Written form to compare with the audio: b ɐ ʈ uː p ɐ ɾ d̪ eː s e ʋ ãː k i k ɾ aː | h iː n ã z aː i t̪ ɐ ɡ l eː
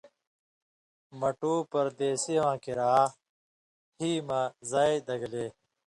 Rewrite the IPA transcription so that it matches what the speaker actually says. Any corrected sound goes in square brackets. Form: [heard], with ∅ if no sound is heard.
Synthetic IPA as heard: [m] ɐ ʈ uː p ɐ ɾ d̪ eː s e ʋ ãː k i [∅] ɾ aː | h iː [m] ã z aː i [d̪] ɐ ɡ l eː